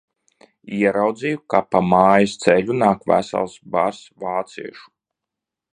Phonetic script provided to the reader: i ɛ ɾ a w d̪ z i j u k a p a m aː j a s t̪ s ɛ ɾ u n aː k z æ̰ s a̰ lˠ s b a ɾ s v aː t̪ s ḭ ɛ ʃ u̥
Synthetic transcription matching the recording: i ɛ ɾ a w d̪ z i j u k a p a m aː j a s t̪ s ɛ ʎ u n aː k v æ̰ s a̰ lˠ s b a ɾ s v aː t̪ s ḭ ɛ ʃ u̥